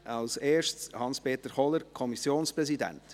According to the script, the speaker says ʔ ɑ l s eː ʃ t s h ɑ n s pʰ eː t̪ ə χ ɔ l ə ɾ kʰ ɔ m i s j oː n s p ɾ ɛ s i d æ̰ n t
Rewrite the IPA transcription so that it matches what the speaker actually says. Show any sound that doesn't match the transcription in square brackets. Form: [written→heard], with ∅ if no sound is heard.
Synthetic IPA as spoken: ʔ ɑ l s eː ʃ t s h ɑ n s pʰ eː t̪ ə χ ɔ l ə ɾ kʰ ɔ m i s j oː n s p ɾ ɛ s i d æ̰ n t

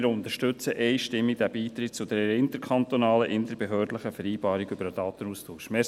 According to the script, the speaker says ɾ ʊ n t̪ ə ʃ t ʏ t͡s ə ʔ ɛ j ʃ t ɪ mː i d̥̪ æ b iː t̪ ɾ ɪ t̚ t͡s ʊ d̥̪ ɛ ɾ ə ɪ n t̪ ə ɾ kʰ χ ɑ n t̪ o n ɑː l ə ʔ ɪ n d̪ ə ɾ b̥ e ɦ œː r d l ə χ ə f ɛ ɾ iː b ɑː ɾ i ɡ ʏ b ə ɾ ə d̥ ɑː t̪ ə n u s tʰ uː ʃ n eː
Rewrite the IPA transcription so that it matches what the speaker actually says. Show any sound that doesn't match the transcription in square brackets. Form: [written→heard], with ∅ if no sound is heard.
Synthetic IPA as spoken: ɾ ʊ n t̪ ə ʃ t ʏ t͡s ə ʔ ɛ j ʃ t ɪ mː i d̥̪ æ b iː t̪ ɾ ɪ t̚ t͡s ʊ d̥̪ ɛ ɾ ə ɪ n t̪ ə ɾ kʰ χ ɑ n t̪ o n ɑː l ə ʔ ɪ n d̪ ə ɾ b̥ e ɦ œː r d l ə χ ə f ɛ ɾ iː b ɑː ɾ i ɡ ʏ b ə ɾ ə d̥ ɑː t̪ ə n u s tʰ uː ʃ [n→m] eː

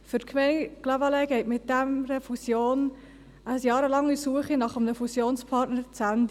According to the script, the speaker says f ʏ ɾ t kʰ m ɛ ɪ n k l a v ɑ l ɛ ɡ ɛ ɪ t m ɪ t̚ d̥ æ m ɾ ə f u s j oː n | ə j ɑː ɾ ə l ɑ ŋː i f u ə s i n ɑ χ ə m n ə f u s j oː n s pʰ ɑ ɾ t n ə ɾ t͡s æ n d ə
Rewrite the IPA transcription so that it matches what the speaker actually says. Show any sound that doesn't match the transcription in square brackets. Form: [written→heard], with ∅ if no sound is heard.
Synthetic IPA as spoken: f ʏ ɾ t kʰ m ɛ ɪ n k l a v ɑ l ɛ ɡ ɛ ɪ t m ɪ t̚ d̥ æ m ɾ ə f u s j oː n | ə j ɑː ɾ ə l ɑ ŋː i [f→s] u ə [s→χ] i n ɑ χ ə m n ə f u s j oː n s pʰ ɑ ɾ t n ə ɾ t͡s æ n d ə

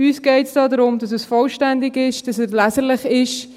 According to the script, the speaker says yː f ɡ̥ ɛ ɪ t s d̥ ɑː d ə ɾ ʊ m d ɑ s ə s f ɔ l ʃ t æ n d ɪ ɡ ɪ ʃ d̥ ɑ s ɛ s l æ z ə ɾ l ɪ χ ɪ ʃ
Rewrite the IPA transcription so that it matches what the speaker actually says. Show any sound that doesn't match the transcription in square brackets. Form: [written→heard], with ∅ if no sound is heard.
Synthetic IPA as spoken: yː [f→s] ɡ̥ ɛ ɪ t s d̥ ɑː d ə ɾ ʊ m d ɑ s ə s f ɔ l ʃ t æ n d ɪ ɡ ɪ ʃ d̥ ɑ s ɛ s l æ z ə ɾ l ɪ χ ɪ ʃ

